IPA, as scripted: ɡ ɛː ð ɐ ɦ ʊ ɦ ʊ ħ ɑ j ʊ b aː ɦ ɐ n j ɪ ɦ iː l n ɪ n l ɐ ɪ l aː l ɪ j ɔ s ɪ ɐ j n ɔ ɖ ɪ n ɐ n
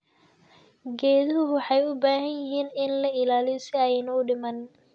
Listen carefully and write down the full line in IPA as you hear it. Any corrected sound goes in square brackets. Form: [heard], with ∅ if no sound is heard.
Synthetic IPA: ɡ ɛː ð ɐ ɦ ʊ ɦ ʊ ħ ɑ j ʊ b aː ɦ ɐ n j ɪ ɦ iː [∅] n ɪ n l ɐ ɪ l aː l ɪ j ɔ s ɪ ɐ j n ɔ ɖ ɪ [m] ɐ n